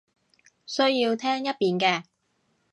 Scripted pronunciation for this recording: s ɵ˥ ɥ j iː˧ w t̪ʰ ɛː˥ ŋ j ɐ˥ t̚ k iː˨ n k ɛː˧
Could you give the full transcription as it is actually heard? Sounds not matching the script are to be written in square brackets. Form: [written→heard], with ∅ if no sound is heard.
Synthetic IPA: s ɵ˥ ɥ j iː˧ w t̪ʰ ɛː˥ ŋ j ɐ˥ t̚ [k→p] iː˨ n k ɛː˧